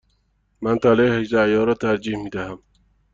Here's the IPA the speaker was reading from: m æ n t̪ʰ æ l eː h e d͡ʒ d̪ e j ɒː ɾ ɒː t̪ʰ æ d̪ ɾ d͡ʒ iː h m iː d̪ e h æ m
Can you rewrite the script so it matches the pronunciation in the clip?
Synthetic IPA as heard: m æ n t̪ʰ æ l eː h e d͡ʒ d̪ æ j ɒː ɾ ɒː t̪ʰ æ ɾ d͡ʒ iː h m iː d̪ æ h æ m